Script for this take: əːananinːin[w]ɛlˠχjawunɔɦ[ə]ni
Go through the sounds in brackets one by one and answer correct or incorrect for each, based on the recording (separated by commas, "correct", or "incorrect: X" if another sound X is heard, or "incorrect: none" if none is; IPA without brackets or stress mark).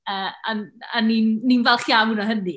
incorrect: v, correct